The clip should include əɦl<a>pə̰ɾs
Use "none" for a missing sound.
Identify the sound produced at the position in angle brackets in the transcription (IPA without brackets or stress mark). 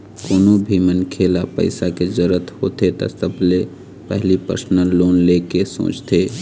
i